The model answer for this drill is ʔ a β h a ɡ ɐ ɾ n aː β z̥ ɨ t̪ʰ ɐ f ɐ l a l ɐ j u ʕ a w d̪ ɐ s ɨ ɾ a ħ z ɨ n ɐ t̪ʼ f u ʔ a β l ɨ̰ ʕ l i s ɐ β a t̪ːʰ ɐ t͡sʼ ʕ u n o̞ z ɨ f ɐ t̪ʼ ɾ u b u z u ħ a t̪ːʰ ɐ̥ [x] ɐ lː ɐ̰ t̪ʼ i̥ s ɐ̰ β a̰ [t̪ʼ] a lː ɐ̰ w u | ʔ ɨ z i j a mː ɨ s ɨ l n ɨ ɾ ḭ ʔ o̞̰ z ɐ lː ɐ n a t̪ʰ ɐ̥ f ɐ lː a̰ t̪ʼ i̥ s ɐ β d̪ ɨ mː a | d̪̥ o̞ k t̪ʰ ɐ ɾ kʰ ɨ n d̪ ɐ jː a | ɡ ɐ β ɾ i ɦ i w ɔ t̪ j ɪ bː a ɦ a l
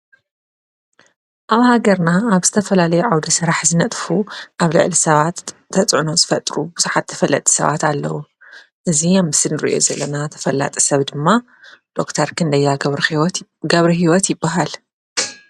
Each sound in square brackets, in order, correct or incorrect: incorrect: f, incorrect: t̪

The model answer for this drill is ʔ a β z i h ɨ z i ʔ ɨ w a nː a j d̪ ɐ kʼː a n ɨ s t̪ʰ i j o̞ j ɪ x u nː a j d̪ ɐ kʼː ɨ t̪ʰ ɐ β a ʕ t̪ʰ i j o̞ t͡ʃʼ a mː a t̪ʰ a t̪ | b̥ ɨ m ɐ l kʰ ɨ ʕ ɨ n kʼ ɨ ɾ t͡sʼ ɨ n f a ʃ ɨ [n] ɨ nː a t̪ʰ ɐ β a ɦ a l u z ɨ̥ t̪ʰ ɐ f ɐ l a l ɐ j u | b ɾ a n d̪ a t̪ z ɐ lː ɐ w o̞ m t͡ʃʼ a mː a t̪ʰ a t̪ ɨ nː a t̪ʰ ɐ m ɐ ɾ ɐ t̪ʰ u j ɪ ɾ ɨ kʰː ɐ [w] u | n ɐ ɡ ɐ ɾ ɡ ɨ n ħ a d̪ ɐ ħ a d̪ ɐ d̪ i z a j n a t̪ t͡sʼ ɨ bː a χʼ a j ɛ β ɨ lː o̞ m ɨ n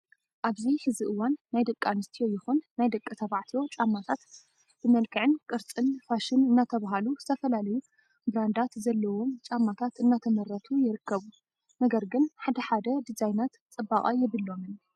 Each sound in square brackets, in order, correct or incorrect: correct, incorrect: β

